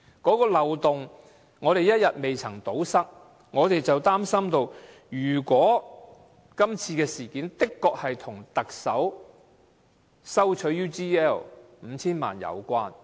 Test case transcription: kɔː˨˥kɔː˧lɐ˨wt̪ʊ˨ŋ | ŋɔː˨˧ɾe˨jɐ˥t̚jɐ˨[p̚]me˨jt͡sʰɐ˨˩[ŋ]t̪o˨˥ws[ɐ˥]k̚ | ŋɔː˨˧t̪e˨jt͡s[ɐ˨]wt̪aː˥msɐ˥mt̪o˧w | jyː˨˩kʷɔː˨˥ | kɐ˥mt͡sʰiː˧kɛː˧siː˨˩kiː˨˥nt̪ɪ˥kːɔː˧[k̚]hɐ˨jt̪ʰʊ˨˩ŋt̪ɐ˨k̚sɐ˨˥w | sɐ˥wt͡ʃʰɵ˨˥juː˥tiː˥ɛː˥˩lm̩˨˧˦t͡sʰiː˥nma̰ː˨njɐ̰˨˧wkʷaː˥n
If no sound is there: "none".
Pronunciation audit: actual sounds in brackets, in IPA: t̚, ŋ, ɐ˥, ɐ˨, k̚

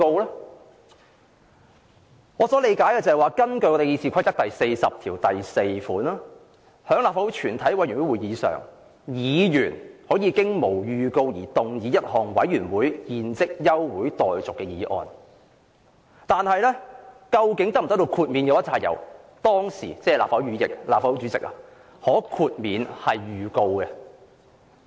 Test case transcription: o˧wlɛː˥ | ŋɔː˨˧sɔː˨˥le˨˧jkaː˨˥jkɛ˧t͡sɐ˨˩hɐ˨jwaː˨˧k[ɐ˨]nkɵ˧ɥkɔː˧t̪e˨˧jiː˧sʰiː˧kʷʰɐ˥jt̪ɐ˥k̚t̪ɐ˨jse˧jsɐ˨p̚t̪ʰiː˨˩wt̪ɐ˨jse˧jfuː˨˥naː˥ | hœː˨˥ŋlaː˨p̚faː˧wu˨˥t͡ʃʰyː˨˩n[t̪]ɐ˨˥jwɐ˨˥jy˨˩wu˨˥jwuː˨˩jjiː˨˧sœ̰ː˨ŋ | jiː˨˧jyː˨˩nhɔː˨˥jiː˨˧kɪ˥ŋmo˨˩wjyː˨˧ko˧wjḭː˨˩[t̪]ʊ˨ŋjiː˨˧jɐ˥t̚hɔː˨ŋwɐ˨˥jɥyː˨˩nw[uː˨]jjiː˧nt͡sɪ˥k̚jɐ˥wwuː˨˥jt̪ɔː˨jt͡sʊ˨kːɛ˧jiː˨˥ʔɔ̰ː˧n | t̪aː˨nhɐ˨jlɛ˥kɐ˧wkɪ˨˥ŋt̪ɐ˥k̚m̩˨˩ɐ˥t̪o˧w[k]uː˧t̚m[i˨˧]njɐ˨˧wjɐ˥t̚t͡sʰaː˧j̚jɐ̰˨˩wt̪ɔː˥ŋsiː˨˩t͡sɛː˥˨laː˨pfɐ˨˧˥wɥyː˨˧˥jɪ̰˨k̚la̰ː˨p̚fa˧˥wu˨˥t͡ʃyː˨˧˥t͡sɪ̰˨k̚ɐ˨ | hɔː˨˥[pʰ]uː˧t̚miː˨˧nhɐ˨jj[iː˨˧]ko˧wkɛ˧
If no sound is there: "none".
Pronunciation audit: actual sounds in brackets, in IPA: ɐ˥, t̪ʰ, t̪, uː˨˥, kʰ, i˨˧, kʰ, yː˨˧

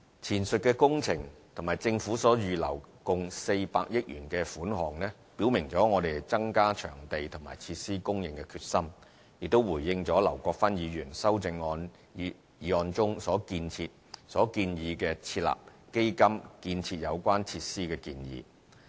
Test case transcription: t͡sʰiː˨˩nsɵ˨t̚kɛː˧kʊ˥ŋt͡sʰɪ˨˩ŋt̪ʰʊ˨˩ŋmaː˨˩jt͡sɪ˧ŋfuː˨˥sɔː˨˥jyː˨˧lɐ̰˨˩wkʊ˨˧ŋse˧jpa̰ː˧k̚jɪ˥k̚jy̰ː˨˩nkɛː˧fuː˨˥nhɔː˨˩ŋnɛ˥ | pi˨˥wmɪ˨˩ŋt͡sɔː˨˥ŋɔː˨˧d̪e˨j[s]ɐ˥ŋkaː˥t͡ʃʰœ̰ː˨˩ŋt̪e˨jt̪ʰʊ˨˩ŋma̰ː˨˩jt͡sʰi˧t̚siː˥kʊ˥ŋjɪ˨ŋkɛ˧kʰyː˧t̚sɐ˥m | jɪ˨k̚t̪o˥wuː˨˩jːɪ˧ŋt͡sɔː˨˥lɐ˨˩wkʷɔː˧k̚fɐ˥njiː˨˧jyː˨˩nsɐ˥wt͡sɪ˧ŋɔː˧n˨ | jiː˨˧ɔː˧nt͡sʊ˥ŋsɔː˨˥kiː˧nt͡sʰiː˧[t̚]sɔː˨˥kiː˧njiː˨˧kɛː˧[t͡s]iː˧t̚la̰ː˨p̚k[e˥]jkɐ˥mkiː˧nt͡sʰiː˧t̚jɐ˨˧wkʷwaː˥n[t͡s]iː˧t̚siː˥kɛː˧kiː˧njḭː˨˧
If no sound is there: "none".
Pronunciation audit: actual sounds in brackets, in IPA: t͡s, t̚, t͡sʰ, e˥, t͡sʰ

